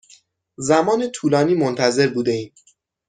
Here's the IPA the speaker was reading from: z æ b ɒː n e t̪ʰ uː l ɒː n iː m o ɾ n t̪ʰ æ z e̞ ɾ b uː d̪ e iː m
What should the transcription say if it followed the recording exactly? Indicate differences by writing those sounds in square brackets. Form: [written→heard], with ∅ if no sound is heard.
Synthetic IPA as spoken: z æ [b→m] ɒː n e t̪ʰ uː l ɒː n iː m o [ɾ→∅] n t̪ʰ æ z e̞ ɾ b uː d̪ e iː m